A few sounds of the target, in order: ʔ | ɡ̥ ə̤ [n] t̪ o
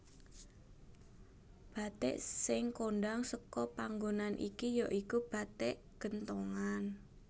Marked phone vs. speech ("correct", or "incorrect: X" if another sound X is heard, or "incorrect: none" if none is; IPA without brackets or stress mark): correct